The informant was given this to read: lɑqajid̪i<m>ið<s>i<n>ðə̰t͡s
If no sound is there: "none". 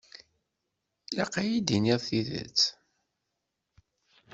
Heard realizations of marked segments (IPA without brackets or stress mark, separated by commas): n, θ, none